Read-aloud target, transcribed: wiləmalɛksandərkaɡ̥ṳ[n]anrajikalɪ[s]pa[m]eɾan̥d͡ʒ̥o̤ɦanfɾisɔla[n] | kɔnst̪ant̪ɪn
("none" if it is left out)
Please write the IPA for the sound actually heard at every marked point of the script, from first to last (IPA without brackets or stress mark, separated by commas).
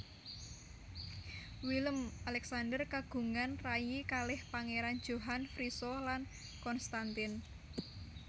ŋ, h, ŋ, n